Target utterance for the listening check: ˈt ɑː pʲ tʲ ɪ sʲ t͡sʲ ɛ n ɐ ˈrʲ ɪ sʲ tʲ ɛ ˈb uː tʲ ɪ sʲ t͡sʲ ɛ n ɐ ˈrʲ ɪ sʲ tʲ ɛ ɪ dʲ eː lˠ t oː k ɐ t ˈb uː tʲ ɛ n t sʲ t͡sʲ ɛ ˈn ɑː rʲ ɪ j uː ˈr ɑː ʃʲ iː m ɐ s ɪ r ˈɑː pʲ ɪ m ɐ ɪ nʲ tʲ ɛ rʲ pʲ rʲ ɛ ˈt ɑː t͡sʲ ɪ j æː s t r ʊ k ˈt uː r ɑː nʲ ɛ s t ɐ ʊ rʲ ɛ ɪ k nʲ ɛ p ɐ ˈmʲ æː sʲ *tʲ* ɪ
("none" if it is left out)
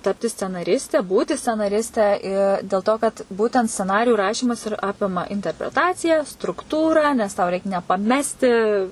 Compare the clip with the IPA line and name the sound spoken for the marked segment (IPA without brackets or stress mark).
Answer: tʲ